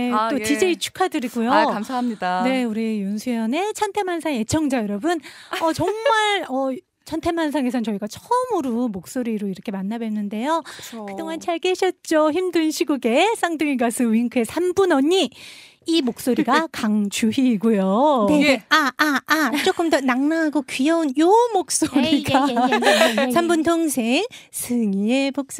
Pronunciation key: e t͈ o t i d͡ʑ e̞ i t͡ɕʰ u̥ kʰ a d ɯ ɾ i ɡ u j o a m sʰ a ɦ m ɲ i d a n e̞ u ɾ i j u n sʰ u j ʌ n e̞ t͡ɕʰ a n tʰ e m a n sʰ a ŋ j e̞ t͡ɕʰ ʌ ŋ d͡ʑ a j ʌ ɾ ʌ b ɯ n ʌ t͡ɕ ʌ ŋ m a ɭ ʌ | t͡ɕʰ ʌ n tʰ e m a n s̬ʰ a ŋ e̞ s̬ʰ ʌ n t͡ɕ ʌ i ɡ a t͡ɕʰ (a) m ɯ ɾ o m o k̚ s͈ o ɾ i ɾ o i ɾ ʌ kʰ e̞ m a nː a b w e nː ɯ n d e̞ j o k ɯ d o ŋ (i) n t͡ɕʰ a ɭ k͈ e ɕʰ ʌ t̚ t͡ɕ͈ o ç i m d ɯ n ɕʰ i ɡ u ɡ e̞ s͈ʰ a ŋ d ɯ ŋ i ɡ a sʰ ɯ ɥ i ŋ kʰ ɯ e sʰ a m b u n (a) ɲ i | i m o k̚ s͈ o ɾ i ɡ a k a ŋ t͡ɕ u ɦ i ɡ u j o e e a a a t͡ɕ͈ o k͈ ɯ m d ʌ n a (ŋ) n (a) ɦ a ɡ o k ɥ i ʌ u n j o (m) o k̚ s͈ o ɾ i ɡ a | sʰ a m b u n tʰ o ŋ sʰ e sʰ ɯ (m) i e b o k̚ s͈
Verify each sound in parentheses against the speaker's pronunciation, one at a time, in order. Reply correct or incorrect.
incorrect, incorrect, incorrect, correct, correct, correct, incorrect

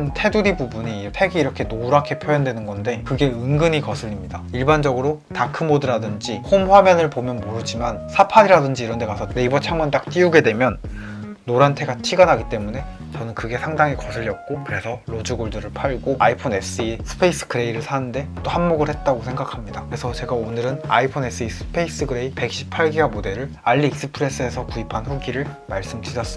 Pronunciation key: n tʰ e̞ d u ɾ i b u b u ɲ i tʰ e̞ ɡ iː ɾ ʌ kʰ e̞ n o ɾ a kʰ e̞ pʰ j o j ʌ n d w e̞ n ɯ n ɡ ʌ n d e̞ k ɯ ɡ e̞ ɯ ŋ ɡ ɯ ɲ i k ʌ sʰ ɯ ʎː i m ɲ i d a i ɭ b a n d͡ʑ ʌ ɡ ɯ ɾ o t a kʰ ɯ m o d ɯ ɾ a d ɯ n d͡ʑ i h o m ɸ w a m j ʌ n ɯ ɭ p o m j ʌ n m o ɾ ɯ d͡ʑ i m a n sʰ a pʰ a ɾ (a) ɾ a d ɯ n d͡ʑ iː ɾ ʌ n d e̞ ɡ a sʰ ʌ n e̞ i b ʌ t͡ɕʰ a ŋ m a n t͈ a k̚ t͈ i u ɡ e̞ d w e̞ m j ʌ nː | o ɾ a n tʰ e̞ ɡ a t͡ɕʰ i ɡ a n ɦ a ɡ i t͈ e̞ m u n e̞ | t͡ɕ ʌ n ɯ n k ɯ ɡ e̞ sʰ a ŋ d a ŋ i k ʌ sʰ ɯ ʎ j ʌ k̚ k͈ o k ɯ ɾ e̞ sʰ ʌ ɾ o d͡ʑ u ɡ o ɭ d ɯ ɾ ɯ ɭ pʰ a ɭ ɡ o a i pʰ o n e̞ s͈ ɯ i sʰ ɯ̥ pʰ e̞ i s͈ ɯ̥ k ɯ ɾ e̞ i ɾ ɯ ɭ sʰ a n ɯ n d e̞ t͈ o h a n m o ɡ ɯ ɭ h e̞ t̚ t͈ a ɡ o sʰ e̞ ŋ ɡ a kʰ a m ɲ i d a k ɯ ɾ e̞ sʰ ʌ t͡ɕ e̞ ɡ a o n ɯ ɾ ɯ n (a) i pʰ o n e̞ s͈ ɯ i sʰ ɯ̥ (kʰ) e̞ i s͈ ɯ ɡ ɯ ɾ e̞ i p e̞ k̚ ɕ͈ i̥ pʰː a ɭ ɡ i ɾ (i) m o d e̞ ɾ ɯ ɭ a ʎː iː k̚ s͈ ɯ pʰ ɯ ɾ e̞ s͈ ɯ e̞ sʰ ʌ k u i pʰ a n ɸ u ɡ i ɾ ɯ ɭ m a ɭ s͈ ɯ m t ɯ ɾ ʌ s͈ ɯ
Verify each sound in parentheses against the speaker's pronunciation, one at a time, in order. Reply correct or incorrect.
incorrect, correct, incorrect, incorrect

